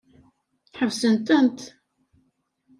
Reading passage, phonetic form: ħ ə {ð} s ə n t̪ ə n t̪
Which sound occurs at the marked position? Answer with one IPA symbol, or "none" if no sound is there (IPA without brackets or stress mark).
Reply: v